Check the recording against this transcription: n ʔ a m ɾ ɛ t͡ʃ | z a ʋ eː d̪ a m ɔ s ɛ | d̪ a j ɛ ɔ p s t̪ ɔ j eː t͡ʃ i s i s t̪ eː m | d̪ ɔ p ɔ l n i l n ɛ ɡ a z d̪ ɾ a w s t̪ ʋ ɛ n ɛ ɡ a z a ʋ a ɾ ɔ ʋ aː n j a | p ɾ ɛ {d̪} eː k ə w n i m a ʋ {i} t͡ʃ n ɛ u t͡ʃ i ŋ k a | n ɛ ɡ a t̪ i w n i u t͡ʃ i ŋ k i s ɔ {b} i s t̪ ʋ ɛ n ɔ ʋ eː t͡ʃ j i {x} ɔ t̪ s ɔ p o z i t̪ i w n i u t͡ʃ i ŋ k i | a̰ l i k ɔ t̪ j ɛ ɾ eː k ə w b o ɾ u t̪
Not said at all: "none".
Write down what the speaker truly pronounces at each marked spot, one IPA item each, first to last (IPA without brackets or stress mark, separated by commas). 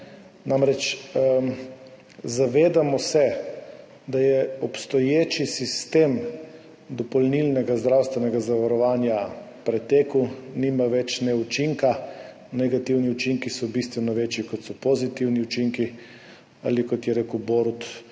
t̪, ɛ, b, k